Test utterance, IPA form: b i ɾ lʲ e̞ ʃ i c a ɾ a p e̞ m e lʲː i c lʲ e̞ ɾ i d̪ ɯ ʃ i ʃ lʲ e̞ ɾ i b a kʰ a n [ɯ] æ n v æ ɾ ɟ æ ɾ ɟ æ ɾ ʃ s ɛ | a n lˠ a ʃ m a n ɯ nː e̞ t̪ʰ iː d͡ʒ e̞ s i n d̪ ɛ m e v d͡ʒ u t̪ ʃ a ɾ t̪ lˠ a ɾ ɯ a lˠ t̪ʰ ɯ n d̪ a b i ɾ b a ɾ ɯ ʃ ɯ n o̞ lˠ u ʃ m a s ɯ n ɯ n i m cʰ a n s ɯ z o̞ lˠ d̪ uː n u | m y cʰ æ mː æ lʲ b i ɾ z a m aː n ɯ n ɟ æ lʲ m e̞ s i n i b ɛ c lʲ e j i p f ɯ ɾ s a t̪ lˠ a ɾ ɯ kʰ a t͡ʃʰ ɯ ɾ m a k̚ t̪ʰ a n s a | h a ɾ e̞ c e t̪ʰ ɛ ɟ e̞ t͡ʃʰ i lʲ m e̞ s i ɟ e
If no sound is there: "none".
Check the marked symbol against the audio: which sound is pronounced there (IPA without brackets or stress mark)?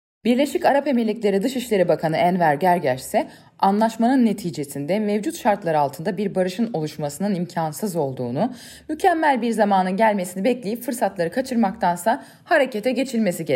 ɯ